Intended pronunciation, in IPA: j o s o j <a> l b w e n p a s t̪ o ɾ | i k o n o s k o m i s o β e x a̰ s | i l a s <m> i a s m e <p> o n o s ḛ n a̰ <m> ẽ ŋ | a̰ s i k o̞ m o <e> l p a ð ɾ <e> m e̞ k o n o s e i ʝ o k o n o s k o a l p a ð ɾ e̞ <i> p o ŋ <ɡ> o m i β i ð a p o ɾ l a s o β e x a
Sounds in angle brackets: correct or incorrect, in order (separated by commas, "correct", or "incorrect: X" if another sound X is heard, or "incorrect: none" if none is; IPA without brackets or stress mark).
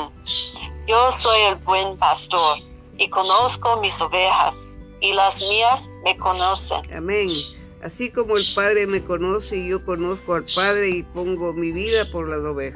incorrect: e, correct, incorrect: k, correct, correct, correct, correct, correct